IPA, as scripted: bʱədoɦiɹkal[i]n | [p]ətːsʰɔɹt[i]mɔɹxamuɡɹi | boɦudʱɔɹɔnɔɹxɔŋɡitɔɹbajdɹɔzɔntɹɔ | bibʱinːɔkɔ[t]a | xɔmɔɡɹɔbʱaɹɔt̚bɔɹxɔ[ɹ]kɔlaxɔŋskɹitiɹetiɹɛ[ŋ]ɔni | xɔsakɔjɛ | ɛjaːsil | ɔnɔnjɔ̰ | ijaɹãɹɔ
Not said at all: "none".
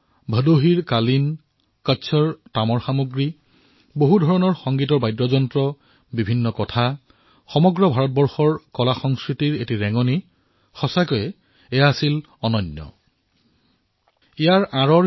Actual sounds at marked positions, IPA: i, k, a, tʰ, ɹ, ŋ

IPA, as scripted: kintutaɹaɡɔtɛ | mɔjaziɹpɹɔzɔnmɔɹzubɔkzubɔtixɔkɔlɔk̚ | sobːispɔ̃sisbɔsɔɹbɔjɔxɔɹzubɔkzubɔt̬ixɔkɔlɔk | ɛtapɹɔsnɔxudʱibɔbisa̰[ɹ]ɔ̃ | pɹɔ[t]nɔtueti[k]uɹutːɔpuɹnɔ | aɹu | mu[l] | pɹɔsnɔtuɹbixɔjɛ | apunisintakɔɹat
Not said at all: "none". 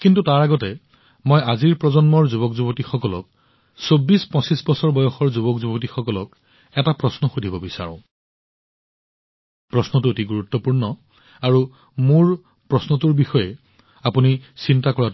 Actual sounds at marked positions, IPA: ɹ, s, ɡ, ɹ

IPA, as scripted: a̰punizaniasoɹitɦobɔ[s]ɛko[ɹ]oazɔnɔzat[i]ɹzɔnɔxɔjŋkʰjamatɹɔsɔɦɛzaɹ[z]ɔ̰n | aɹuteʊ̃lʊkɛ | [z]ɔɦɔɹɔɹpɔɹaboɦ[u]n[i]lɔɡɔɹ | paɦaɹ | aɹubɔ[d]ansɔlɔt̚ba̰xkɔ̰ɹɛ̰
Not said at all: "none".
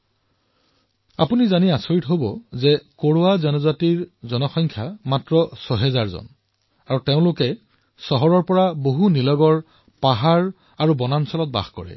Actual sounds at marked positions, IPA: z, ɹ, i, z, s, u, i, n

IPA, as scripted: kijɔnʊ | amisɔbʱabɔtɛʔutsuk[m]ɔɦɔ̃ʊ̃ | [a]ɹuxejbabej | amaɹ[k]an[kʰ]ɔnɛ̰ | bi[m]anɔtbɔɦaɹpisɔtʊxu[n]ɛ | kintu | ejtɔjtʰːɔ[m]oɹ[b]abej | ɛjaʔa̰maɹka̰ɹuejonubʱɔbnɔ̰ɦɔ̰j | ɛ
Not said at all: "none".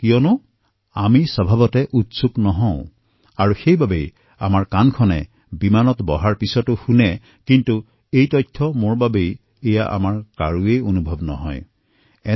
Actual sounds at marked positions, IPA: n, a, k, kʰ, m, n, m, b

